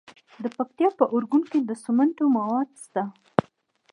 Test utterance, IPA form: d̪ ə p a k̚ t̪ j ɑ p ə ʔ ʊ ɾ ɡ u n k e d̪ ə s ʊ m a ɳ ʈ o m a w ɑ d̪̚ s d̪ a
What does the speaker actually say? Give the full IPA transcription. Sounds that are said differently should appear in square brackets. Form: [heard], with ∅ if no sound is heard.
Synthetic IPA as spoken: d̪ ə p a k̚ t̪ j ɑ p ə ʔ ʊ ɾ ɡ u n k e d̪ ə s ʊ m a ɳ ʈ o m a w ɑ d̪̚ s [t̪] a